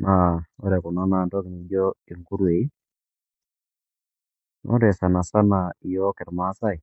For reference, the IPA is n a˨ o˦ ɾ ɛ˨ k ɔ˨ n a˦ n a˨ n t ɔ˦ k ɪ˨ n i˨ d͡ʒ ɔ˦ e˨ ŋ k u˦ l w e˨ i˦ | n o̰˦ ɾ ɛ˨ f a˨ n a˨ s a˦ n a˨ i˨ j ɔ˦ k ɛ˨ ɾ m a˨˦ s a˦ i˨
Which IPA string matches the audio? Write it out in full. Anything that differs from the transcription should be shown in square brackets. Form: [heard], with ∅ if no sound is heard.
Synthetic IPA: n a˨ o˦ ɾ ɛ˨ k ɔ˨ n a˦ n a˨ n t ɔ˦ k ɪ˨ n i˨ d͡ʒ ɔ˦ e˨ ŋ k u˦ [ɾ] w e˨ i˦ | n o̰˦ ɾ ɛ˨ [s] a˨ n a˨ s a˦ n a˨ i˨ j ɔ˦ k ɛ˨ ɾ m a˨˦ s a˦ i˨